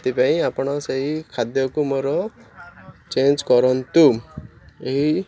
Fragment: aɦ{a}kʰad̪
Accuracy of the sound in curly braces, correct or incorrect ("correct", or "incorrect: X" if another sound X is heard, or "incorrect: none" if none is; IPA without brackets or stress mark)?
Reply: incorrect: i